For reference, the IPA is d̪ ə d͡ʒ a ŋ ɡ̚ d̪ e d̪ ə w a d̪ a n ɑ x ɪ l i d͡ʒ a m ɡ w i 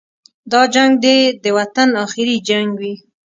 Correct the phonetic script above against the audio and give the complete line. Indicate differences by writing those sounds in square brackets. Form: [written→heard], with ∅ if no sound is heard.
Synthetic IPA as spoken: d̪ [ə→ɑ] d͡ʒ a ŋ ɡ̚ d̪ e d̪ ə w a [d̪→t̪] a n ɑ x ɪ [l→ɾ] i d͡ʒ a [m→ŋ] ɡ w i